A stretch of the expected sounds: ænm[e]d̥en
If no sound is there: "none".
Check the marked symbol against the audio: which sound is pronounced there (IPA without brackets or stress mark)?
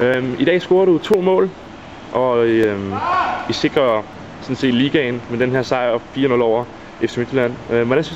e